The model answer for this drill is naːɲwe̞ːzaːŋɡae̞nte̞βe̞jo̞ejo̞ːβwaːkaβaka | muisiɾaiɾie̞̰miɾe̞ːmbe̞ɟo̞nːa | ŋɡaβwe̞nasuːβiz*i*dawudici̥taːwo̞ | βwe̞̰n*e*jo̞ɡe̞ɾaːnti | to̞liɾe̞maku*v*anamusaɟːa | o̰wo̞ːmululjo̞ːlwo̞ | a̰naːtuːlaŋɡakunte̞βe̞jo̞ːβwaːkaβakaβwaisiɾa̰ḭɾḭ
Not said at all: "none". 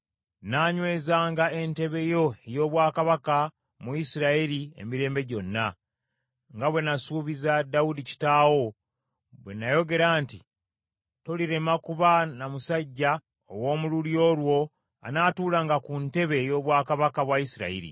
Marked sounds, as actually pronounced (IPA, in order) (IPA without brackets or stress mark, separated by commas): a, a, β